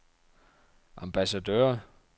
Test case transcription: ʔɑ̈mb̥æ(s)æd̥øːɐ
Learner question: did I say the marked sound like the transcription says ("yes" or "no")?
yes